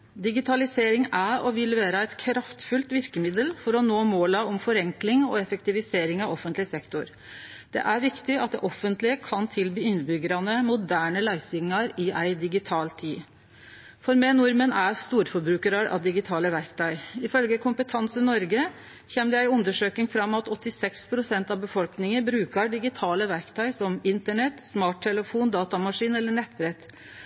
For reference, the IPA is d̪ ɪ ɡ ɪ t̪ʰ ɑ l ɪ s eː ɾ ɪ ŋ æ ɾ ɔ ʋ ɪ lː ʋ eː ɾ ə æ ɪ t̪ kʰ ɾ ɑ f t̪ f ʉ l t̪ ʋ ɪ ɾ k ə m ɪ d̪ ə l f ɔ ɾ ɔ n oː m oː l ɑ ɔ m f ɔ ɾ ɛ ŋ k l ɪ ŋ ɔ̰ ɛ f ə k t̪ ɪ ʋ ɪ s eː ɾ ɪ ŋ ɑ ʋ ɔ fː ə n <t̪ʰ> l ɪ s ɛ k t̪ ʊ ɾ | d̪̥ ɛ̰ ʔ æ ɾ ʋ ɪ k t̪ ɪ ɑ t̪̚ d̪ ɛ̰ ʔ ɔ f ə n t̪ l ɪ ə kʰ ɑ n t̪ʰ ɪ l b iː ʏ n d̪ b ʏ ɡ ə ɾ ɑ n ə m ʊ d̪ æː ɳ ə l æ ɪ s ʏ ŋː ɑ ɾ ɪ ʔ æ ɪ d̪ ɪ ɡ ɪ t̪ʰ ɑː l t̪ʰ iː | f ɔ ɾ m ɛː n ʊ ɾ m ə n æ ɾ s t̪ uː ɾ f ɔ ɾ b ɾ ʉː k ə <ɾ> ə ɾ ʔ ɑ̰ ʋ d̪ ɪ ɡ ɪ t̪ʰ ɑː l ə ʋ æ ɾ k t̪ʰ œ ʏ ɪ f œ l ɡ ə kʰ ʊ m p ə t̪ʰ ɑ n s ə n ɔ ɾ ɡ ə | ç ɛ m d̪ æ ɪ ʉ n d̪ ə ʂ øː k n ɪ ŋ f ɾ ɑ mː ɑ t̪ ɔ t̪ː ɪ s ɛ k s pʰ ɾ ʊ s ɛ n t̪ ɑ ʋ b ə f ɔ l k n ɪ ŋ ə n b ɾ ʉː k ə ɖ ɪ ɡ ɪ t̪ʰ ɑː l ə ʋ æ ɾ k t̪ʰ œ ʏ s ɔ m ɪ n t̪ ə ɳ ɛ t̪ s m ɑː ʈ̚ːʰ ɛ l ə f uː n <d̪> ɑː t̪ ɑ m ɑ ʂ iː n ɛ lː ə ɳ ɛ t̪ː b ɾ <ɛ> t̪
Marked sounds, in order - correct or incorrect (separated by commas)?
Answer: incorrect, correct, correct, correct